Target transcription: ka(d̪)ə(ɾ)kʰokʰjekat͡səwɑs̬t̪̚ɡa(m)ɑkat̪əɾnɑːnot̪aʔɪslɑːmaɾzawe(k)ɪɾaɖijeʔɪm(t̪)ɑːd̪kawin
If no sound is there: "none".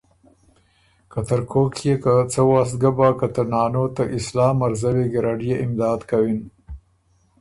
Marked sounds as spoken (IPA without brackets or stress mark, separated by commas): t̪, ɾ, b, ɡ, d̪